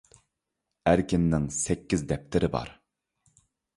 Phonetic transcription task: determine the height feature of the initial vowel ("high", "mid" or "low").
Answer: low